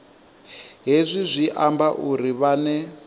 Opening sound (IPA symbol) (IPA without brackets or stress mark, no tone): ɦ